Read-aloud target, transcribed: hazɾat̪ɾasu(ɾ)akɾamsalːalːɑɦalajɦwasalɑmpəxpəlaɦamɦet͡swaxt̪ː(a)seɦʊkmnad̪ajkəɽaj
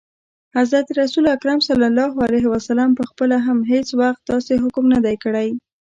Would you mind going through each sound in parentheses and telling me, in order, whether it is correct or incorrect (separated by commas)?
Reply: incorrect, incorrect